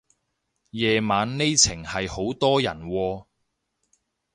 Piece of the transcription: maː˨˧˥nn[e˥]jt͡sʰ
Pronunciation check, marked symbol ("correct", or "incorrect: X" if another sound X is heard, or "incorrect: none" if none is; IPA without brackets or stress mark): correct